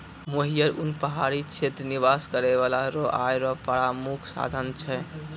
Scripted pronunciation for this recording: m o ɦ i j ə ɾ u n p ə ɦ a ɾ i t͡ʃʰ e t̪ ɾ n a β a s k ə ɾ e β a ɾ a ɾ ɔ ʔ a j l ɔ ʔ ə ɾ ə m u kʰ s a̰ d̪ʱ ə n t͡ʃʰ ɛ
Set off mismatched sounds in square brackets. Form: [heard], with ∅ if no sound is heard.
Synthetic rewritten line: m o ɦ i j ə ɾ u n p ə ɦ a ɾ i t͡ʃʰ e t̪ ɾ n [i] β a s k ə ɾ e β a [l] a ɾ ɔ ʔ a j [ɾ] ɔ [p] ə ɾ [a] m u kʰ s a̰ d̪ʱ ə n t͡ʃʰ ɛ